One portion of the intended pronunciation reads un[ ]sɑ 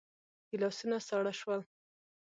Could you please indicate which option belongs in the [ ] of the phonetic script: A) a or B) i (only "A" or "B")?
A